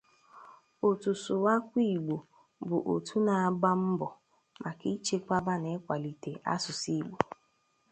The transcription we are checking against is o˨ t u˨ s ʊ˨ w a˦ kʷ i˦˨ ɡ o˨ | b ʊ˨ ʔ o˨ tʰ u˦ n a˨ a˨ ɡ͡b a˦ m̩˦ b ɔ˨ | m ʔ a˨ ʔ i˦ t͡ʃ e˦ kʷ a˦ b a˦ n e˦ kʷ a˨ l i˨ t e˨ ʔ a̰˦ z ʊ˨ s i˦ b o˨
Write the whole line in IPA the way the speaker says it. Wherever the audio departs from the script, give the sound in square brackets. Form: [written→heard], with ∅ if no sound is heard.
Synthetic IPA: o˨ t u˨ s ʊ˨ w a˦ kʷ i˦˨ [ɡ→ɡ͡b] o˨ | b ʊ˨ ʔ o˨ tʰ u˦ n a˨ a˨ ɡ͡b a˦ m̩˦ b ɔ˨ | m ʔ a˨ [ʔ→k] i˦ t͡ʃ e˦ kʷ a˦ b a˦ n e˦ kʷ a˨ l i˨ t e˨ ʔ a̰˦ [z→s] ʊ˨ s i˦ [b→ɡ͡b] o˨